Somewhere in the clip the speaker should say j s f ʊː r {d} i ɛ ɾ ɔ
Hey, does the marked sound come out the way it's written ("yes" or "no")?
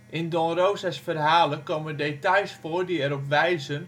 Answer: yes